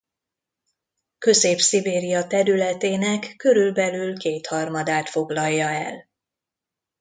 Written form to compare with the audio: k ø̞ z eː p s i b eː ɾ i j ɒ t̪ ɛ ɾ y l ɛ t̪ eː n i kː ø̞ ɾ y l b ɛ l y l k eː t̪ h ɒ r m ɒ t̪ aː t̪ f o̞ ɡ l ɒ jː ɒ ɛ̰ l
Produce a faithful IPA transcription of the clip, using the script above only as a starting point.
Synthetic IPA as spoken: k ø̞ z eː p s i b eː ɾ i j ɒ t̪ ɛ ɾ y l ɛ t̪ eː n ɛ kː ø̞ ɾ y l b ɛ l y l k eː t̪ h ɒ r m ɒ d̪ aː t̪ f o̞ ɡ l ɒ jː ɒ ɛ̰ l

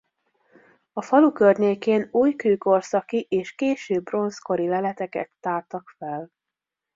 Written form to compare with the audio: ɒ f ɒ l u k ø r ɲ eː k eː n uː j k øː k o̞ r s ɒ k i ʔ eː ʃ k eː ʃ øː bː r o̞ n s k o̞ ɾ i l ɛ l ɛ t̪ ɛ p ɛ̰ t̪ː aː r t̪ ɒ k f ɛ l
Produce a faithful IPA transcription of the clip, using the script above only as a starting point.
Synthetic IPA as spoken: ɒ f ɒ l u k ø r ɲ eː k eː n uː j k øː k o̞ r s ɒ k i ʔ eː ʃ k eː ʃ øː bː r o̞ n s k o̞ ɾ i l ɛ l ɛ t̪ ɛ k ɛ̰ t̪ː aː r t̪ ɒ k f ɛ l

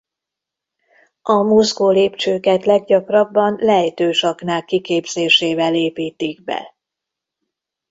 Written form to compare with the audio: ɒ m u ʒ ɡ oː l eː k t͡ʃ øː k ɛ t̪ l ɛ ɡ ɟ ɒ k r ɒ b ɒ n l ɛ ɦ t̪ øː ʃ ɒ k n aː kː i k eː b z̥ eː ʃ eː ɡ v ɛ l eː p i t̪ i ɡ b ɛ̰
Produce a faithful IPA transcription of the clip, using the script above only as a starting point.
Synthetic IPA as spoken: ɒ m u z ɡ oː l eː p t͡ʃ øː k ɛ t̪ l ɛ ɡ ɟ ɒ k r ɒ bː ɒ n l ɛ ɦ t̪ øː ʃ ɒ k n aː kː i k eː b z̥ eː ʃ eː v ɛ l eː p iː t̪ i ɡ b ɛ̰

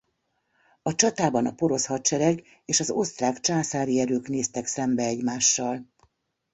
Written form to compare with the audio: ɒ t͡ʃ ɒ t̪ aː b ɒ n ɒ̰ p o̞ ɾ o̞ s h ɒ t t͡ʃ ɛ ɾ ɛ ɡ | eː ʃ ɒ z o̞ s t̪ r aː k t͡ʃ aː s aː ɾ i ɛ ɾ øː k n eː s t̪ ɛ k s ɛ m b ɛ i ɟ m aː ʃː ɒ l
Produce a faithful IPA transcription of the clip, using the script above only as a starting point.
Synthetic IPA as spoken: ɒ t͡ʃ ɒ t̪ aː b ɒ n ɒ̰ p o̞ ɾ o̞ s h ɒ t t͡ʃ ɛ ɾ ɛ ɡ | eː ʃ ɒ z o̞ s t̪ r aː k t͡ʃ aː s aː ɾ i ɛ ɾ øː k n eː s t̪ ɛ k s ɛ m b ɛ ɛ ɟ m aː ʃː ɒ l

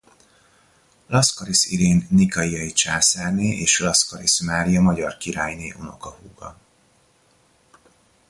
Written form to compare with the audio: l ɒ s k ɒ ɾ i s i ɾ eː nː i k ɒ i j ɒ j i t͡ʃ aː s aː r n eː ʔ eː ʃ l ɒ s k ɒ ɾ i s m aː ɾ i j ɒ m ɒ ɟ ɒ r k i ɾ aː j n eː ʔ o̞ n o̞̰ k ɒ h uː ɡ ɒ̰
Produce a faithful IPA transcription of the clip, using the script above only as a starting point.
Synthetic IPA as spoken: l ɒ s k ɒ ɾ i s i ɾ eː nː i k ɒ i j ɒ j i t͡ʃ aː s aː r n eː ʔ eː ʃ l ɒ s k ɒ ɾ i s m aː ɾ i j ɒ m ɒ ɟ ɒ r k i ɾ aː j n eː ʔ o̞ n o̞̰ k ɒ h uː ɡ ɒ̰

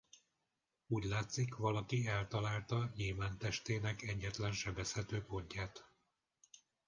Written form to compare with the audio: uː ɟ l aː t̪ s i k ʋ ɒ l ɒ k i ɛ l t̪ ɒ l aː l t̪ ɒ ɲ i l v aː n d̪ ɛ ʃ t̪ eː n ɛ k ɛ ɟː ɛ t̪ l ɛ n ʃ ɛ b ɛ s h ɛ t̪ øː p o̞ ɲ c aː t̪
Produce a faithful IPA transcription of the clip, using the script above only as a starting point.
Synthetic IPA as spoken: uː ɟ l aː t̪ s i k ʋ ɒ l ɒ k i ɛ l t̪ ɒ l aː l t̪ ɒ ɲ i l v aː n t̪ ɛ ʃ t̪ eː n ɛ k ɛ ɟː ɛ t̪ l ɛ n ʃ ɛ b ɛ s h ɛ t̪ øː p o̞ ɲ c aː t̪

